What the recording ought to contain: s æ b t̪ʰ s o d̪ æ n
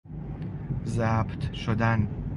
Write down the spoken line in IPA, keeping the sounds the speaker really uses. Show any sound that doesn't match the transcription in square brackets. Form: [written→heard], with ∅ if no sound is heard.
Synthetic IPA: [s→z] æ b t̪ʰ [s→ʃ] o d̪ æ n